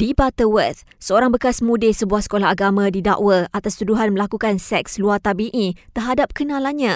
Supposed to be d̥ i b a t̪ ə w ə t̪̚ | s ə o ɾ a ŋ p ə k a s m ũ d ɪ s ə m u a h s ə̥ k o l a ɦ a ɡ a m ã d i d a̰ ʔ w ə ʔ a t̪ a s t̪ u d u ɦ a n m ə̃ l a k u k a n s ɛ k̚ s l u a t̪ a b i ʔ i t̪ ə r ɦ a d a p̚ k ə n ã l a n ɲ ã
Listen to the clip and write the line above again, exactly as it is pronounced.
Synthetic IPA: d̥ i b a t̪ ə w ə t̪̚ | s ə o ɾ a ŋ b ə k a s m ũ d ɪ s ə b u a h s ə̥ k o l a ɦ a ɡ a m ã d i d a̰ ʔ w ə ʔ a t̪ a s t̪ u d u ɦ a n m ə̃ l a k u k a n s ɛ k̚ s l u a t̪ a b i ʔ i t̪ ə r ɦ a d a p̚ k ə n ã l a n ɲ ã